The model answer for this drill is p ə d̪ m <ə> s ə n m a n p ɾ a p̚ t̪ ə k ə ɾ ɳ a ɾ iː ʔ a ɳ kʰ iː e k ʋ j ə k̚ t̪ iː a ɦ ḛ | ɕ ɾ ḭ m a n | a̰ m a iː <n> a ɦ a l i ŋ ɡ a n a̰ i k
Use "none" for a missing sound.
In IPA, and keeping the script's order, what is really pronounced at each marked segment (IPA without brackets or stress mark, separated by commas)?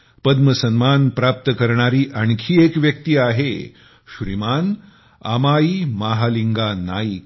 ə, m